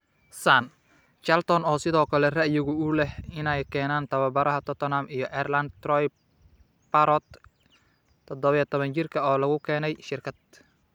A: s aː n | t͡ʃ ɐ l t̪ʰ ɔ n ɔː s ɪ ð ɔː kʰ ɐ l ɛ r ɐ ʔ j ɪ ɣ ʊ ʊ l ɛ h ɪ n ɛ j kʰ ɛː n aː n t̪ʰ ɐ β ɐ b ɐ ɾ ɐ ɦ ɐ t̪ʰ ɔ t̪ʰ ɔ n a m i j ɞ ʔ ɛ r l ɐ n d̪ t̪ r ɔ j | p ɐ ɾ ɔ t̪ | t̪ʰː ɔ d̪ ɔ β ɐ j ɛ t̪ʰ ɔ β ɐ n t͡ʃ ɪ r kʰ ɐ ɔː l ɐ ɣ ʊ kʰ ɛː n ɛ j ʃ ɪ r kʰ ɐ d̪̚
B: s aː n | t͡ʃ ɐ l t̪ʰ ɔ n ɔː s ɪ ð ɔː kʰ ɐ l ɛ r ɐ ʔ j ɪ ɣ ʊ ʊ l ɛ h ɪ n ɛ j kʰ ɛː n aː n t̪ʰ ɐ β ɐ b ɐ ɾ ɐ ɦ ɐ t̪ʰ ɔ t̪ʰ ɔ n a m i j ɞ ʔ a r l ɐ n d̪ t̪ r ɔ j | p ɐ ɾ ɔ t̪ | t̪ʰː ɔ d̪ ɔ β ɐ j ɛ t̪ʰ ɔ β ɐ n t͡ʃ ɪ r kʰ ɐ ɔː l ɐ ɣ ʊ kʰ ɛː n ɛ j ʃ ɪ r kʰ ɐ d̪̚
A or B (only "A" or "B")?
A